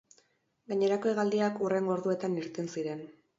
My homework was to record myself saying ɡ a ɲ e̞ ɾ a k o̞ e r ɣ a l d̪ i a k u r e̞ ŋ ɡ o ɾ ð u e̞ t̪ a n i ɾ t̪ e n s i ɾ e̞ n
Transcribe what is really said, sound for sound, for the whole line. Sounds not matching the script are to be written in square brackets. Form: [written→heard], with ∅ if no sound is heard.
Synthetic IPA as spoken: ɡ a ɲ e̞ ɾ a k o̞ e [r→∅] ɣ a l d̪ i a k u r e̞ ŋ ɡ o ɾ ð u e̞ t̪ a n i ɾ t̪ e n s i ɾ e̞ n